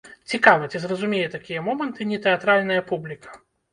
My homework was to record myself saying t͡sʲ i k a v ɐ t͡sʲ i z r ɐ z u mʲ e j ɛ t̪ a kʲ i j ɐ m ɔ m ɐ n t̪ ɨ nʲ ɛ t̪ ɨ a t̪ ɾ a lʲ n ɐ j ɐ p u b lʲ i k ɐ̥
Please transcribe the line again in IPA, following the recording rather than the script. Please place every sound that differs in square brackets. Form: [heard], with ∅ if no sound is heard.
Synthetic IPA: t͡sʲ i k a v ɐ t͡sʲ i z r ɐ z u mʲ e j ɛ t̪ a kʲ i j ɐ m ɔ m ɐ n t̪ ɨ nʲ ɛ t̪ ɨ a t̪ ɾ a lʲ n ɐ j ɐ p u b lʲ i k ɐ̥